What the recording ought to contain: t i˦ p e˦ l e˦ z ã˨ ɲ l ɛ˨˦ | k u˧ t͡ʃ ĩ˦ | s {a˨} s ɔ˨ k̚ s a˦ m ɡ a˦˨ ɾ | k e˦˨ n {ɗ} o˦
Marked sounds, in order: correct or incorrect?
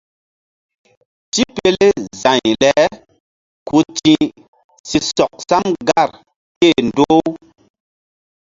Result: incorrect: i˨, incorrect: d

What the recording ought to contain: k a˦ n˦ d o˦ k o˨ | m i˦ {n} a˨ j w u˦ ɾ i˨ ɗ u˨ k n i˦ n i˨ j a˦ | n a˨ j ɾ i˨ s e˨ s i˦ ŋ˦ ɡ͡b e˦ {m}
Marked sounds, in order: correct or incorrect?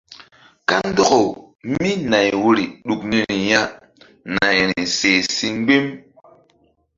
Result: correct, correct

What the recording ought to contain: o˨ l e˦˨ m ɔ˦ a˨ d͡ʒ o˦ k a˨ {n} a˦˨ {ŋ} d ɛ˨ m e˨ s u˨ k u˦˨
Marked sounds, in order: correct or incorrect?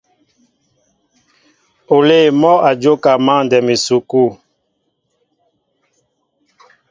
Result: incorrect: m, incorrect: n

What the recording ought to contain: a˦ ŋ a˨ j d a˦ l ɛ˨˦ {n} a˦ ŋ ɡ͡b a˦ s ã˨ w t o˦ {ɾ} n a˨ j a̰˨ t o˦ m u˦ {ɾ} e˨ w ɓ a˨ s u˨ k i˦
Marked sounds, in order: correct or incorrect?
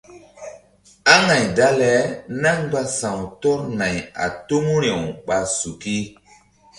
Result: correct, correct, correct

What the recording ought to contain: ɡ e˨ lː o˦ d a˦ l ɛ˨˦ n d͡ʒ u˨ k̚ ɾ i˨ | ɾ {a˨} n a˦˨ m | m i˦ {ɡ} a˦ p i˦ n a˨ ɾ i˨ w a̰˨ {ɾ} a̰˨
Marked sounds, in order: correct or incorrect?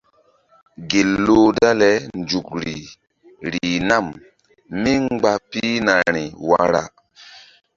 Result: incorrect: i˨, incorrect: ɡ͡b, correct

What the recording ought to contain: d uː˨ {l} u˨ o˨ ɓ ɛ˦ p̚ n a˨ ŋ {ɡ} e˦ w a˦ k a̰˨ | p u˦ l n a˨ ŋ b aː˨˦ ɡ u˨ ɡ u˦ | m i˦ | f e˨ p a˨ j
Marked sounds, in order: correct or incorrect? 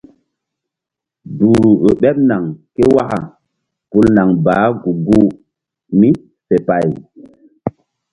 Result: incorrect: ɾ, incorrect: k

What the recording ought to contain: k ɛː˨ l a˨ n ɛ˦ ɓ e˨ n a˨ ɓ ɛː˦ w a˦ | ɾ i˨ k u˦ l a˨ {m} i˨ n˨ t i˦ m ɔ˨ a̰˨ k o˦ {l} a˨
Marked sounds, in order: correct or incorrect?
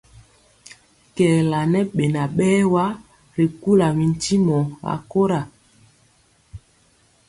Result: correct, incorrect: ɾ

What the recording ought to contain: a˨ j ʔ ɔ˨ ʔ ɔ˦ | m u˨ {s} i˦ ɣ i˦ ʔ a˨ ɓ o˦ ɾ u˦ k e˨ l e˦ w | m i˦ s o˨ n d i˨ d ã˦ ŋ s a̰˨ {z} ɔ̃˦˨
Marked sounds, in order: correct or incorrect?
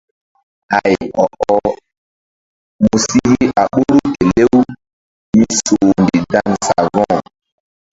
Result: correct, incorrect: v

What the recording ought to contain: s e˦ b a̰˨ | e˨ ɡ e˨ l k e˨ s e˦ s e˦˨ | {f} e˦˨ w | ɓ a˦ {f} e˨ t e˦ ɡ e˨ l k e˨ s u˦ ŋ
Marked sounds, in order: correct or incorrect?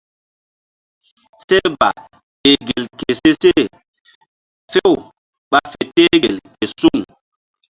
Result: correct, correct

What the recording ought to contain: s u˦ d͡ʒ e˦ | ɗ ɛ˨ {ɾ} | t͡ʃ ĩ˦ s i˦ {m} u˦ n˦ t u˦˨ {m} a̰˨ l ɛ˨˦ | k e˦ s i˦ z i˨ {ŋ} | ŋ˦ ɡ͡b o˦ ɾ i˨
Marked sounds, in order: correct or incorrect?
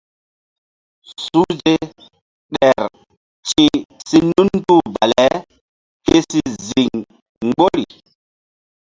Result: correct, incorrect: n, incorrect: b, correct

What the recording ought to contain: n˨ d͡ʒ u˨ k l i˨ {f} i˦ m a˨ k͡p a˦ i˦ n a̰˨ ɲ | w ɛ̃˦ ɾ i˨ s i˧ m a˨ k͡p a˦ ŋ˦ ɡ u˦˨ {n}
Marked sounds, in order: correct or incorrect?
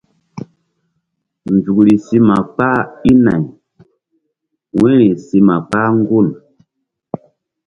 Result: incorrect: s, correct

